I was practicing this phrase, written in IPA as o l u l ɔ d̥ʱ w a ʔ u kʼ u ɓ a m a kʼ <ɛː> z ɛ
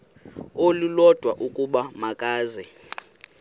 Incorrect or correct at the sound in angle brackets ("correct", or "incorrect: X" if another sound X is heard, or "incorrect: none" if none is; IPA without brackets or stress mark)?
incorrect: aː